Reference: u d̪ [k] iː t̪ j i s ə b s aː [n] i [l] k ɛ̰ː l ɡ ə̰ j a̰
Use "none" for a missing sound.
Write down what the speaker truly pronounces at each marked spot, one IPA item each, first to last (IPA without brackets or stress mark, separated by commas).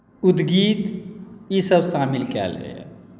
ɡ, m, l